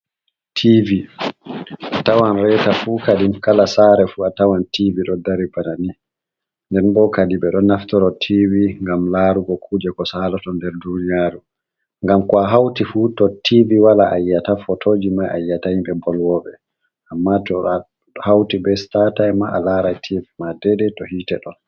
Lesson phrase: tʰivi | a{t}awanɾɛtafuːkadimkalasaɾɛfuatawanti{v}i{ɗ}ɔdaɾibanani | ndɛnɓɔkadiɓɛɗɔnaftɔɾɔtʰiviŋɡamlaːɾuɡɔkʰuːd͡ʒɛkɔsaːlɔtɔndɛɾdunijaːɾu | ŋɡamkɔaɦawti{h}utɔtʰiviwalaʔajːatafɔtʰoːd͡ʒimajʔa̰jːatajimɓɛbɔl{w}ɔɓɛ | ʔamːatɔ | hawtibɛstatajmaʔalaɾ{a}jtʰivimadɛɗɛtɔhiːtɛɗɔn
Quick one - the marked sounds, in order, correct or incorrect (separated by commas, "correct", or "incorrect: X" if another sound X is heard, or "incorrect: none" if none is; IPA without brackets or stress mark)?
correct, correct, correct, incorrect: f, correct, correct